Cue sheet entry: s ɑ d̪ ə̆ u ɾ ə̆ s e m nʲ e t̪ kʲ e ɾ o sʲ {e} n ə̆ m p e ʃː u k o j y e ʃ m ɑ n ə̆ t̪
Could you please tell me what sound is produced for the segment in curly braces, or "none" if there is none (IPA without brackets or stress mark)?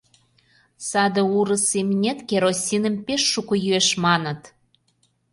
i